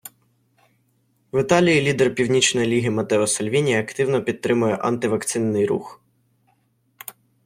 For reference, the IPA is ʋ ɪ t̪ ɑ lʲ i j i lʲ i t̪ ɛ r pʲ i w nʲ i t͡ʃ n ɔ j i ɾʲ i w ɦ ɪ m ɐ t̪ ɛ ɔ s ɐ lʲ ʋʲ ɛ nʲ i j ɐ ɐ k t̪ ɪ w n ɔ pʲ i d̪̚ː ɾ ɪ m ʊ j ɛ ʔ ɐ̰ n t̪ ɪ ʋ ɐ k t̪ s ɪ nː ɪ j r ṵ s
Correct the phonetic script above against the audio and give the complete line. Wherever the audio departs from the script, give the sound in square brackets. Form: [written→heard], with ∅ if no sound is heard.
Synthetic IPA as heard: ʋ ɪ t̪ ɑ lʲ i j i lʲ i [t̪→d̪] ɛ r pʲ i w nʲ i t͡ʃ n ɔ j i [ɾʲ→lʲ] i [w→∅] ɦ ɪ m ɐ t̪ ɛ ɔ s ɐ lʲ ʋʲ [ɛ→i] nʲ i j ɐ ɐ k t̪ ɪ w n ɔ pʲ i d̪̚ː ɾ ɪ m ʊ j ɛ ʔ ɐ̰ n t̪ ɪ ʋ ɐ k t̪ s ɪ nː ɪ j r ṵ [s→x]